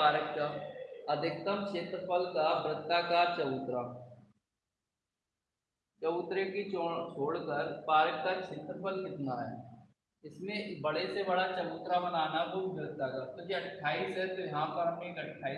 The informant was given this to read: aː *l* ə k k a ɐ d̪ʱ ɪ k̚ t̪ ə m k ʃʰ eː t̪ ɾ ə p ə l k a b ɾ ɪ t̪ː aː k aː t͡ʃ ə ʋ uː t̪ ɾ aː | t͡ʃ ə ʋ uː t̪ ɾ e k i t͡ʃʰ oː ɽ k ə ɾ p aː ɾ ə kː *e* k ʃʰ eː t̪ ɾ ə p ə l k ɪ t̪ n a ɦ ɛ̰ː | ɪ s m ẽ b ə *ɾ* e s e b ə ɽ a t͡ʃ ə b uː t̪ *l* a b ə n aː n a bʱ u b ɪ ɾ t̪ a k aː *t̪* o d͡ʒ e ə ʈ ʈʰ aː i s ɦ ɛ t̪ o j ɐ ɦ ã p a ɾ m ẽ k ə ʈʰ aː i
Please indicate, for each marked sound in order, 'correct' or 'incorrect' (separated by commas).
incorrect, incorrect, incorrect, incorrect, correct